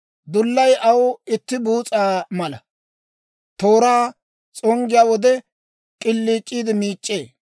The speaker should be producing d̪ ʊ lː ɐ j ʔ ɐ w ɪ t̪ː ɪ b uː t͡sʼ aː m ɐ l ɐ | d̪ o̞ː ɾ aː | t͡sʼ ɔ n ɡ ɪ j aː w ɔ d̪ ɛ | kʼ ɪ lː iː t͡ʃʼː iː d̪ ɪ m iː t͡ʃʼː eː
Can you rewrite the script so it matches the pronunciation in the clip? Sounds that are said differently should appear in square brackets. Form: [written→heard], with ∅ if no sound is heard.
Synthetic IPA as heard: d̪ ʊ lː ɐ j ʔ ɐ w ɪ t̪ː ɪ b uː t͡sʼ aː m ɐ l ɐ | [d̪→t̪] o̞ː ɾ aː | t͡sʼ ɔ [n→ŋ] ɡ ɪ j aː w ɔ d̪ ɛ | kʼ ɪ lː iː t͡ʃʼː iː d̪ ɪ m iː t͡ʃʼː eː